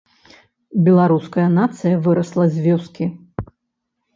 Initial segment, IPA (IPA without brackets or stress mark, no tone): bʲ